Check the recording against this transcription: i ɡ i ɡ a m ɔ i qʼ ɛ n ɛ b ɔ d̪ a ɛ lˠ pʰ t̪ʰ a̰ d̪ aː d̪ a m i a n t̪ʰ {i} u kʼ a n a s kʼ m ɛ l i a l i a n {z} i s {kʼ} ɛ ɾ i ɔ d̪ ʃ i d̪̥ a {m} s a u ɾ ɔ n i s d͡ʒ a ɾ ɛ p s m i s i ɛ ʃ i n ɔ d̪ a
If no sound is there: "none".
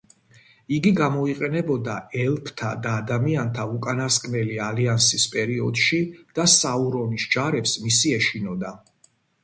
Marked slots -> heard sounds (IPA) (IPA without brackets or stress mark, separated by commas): a, s, pʼ, none